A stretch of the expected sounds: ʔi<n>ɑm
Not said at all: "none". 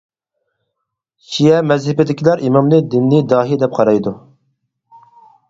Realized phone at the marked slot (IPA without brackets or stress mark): m